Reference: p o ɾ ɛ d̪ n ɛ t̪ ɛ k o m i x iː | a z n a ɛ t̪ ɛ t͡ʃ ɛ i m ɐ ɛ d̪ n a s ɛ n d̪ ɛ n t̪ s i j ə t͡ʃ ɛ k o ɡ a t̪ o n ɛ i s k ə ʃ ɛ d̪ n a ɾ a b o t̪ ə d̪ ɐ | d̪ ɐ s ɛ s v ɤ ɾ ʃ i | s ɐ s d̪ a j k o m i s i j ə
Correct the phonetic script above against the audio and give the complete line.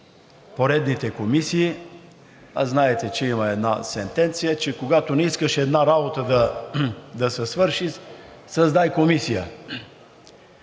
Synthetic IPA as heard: p o ɾ ɛ d̪ n i t̪ ɛ k o m i s iː | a z n a ɛ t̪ ɛ t͡ʃ ɛ i m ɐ ɛ d̪ n a s ɛ n t̪ ɛ n t̪ s i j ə t͡ʃ ɛ k o ɡ a t̪ o n ɛ i s k ə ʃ ɛ d̪ n a ɾ a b o t̪ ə d̪ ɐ | d̪ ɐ s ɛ s v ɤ ɾ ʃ i | s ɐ z d̪ a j k o m i s i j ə